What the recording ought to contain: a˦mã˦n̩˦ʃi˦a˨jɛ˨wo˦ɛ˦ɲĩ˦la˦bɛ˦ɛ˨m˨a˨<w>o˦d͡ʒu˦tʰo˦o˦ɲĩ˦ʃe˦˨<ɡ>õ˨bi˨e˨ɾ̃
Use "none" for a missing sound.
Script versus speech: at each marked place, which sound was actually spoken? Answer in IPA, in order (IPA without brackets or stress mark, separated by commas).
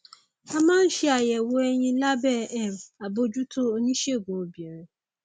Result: b, ɡ